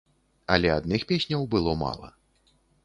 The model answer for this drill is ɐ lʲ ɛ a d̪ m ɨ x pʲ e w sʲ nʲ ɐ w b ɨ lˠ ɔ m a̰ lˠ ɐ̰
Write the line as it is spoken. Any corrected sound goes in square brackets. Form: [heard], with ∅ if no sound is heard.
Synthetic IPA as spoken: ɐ lʲ ɛ a d̪ [n] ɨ x pʲ e [∅] sʲ nʲ ɐ w b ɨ lˠ ɔ m a̰ lˠ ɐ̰